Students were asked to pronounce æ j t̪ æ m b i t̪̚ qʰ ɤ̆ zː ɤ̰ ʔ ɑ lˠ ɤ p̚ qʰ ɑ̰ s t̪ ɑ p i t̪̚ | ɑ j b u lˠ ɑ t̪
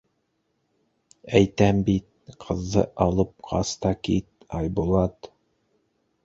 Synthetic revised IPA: æ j t̪ æ m b i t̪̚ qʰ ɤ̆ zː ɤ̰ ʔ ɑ lˠ ɤ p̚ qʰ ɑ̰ s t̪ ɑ k i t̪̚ | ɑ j b u lˠ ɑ t̪